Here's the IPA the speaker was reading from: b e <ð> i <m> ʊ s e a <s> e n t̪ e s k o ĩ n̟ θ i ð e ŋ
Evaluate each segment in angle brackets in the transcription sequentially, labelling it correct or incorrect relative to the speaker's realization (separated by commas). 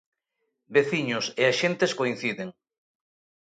incorrect, incorrect, incorrect